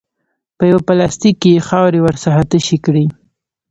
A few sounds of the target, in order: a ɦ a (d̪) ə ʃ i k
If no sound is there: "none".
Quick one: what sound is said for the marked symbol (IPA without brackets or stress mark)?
t̪